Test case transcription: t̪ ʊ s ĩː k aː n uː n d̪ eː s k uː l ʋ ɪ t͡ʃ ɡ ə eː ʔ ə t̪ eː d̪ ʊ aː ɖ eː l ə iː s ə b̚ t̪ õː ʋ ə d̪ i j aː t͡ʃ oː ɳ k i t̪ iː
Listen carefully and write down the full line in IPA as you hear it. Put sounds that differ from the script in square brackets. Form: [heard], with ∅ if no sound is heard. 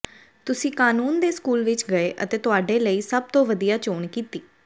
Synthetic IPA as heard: t̪ ʊ s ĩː k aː n uː n d̪ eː s k uː l ʋ ɪ t͡ʃ ɡ ə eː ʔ ə t̪ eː [t̪] ʊ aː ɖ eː l ə iː s ə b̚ t̪ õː ʋ ə d̪ i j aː t͡ʃ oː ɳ k [iː] t̪ iː